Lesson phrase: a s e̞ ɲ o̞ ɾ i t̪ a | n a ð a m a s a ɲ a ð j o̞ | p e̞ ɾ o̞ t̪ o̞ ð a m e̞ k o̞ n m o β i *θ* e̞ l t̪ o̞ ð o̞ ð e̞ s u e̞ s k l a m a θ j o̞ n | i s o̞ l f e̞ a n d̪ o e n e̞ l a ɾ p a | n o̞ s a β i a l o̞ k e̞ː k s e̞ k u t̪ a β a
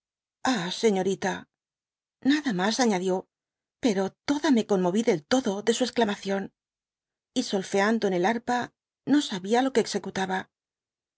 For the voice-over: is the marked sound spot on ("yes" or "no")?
no